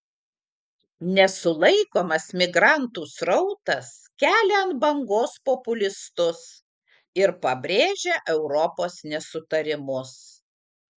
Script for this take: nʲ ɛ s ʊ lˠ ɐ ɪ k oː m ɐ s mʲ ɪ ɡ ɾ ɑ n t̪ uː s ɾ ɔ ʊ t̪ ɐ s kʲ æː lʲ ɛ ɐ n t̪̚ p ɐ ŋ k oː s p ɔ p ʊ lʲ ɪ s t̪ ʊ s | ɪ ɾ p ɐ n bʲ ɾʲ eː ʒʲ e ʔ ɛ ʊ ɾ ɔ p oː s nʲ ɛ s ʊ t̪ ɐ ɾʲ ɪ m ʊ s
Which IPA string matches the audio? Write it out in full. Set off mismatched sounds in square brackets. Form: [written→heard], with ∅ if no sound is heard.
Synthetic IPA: nʲ ɛ s ʊ lˠ ɐ ɪ k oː m ɐ s mʲ ɪ ɡ ɾ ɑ n t̪ uː s ɾ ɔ ʊ t̪ ɐ s kʲ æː lʲ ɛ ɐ n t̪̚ [p→b] ɐ ŋ [k→ɡ] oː s p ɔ p ʊ lʲ ɪ s t̪ ʊ s | ɪ ɾ p ɐ [n→∅] bʲ ɾʲ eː ʒʲ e ʔ ɛ ʊ ɾ ɔ p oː s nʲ ɛ s ʊ t̪ ɐ ɾʲ ɪ m ʊ s

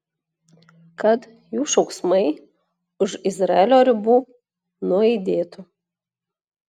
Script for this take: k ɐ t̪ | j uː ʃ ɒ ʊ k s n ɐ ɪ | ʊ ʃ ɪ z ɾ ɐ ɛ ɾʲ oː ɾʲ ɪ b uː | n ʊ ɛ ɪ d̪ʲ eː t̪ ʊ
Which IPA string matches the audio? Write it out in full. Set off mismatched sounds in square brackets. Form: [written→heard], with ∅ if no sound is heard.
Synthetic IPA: k ɐ t̪ | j uː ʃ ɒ ʊ k s [n→m] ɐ ɪ | ʊ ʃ ɪ z ɾ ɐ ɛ [ɾʲ→lʲ] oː ɾʲ ɪ b uː | n ʊ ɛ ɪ d̪ʲ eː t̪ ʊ

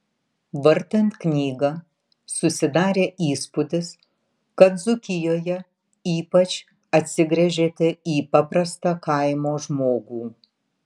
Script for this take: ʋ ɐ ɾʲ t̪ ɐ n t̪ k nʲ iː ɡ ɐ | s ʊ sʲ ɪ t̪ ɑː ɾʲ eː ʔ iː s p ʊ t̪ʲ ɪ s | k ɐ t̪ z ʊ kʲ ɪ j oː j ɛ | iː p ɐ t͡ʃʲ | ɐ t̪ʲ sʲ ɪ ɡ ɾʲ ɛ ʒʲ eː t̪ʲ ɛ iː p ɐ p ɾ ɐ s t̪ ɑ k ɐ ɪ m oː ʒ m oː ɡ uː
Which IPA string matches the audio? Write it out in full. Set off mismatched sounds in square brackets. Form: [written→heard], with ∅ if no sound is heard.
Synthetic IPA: ʋ ɐ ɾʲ t̪ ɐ n t̪ k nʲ iː ɡ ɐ | s ʊ sʲ ɪ [t̪→d̪] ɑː ɾʲ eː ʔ iː s p ʊ [t̪ʲ→d̪ʲ] ɪ s | k ɐ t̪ z ʊ kʲ ɪ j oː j ɛ | iː p ɐ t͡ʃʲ | ɐ t̪ʲ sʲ ɪ ɡ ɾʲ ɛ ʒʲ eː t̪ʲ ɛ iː p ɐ p ɾ ɐ s t̪ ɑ k ɐ ɪ m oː ʒ m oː ɡ uː

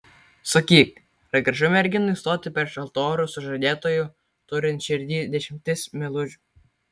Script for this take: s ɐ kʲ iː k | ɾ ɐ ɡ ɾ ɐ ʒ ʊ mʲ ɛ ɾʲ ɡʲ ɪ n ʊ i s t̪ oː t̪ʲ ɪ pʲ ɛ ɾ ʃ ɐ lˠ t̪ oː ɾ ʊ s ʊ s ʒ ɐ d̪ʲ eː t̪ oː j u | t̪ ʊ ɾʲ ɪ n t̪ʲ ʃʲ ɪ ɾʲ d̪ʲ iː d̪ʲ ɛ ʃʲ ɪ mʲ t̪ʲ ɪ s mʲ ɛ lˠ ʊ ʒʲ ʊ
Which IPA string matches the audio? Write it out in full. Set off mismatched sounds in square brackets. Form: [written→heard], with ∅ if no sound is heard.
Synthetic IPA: s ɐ kʲ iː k | ɾ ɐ ɡ ɾ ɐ ʒ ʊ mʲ ɛ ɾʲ ɡʲ ɪ n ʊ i s t̪ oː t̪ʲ ɪ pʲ ɛ ɾ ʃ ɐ lˠ t̪ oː ɾ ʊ s ʊ [s→∅] ʒ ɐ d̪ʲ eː t̪ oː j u | t̪ ʊ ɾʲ ɪ n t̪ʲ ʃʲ ɪ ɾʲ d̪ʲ iː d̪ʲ ɛ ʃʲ ɪ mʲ t̪ʲ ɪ s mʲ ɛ lˠ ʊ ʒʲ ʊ

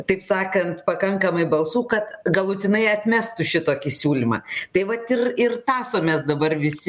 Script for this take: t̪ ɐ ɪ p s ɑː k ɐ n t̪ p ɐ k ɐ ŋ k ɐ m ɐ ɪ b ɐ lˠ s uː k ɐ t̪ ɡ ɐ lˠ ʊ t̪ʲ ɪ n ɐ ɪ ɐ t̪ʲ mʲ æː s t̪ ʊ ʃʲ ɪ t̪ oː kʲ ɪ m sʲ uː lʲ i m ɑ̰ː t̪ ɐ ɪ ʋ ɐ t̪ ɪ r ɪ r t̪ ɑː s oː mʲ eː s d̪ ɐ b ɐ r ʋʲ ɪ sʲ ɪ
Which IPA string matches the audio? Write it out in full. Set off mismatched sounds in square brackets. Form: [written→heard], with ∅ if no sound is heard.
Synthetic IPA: t̪ ɐ ɪ p s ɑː k ɐ n t̪ p ɐ k ɐ ŋ k ɐ m ɐ ɪ b ɐ lˠ s uː k ɐ t̪ ɡ ɐ lˠ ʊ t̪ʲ ɪ n ɐ ɪ ɐ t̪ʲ mʲ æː s t̪ ʊ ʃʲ ɪ t̪ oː kʲ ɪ [m→∅] sʲ uː lʲ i m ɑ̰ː t̪ ɐ ɪ ʋ ɐ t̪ ɪ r ɪ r t̪ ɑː s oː mʲ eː s d̪ ɐ b ɐ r ʋʲ ɪ sʲ ɪ

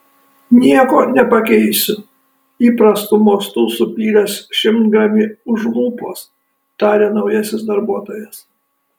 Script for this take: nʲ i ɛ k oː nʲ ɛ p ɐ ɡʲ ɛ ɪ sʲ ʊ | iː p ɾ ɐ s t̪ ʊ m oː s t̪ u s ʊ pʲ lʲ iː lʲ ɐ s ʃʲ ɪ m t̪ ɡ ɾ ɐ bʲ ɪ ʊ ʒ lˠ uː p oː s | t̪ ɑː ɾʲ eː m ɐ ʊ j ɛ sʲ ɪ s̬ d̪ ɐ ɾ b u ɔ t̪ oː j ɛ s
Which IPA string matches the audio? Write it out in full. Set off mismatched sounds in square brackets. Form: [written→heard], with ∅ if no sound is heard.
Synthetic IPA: nʲ i ɛ k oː nʲ ɛ p ɐ [ɡʲ→kʲ] ɛ ɪ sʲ ʊ | iː p ɾ ɐ s t̪ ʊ m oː s t̪ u s ʊ pʲ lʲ iː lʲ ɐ s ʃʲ ɪ m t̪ ɡ ɾ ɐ [bʲ→mʲ] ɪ ʊ ʒ lˠ uː p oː s | t̪ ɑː ɾʲ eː [m→n] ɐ ʊ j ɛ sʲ ɪ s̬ d̪ ɐ ɾ b u ɔ t̪ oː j ɛ s

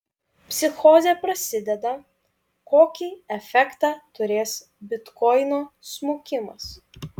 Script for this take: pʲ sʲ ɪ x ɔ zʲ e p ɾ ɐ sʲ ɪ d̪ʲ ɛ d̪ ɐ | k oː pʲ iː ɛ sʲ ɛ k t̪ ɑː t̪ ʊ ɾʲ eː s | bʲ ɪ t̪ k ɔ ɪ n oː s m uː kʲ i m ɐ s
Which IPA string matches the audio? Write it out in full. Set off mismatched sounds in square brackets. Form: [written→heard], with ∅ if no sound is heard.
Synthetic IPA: pʲ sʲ ɪ x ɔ zʲ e p ɾ ɐ sʲ ɪ d̪ʲ ɛ d̪ ɐ | k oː [pʲ→kʲ] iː ɛ [sʲ→fʲ] ɛ k t̪ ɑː t̪ ʊ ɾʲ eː s | bʲ ɪ t̪ k ɔ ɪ n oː s m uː kʲ [i→ɪ] m ɐ s

